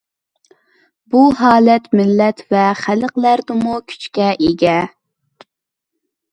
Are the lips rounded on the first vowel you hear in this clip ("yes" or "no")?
yes